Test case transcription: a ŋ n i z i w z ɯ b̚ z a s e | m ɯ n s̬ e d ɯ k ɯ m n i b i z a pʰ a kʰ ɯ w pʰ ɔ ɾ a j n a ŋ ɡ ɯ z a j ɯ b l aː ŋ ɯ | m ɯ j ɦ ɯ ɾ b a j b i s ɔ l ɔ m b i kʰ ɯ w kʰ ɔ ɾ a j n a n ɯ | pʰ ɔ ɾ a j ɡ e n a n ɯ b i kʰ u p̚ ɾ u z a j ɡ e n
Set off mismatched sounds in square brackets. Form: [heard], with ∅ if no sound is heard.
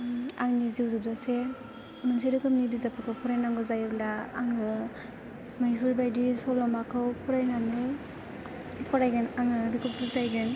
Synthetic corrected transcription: a ŋ n i z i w z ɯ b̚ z a s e | m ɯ n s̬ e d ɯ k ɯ m n i b i z a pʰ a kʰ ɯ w pʰ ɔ ɾ a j n a ŋ ɡ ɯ z a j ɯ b l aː ŋ ɯ | m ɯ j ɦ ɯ ɾ b a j [d] i s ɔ l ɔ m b [a] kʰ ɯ w [pʰ] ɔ ɾ a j n a n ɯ | pʰ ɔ ɾ a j ɡ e n a [ŋ] ɯ b i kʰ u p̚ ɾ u z a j ɡ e n